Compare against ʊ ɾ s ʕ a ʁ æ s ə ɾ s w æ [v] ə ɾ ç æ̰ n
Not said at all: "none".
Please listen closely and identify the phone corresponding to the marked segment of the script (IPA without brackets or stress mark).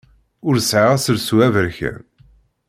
v